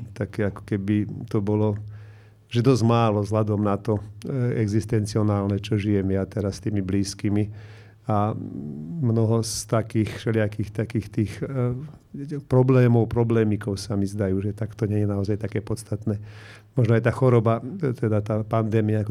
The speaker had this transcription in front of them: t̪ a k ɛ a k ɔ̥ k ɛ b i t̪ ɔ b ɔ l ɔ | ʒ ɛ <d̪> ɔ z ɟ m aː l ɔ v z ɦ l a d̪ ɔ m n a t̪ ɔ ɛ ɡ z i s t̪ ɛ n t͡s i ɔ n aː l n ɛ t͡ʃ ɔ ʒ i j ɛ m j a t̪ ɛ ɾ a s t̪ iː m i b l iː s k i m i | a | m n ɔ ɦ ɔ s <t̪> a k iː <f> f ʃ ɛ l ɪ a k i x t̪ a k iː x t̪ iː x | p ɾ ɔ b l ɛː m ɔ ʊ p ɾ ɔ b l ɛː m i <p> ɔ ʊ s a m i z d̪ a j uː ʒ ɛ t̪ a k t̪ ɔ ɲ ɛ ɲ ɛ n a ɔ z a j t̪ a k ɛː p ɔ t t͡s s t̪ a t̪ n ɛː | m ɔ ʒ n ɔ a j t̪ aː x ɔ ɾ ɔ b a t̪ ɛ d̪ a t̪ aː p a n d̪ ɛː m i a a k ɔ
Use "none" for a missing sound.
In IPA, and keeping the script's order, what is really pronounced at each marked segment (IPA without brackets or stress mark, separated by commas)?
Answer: d̪, t̪, x, k